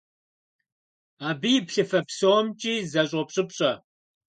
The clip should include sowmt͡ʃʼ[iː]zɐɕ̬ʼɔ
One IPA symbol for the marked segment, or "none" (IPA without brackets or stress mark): iː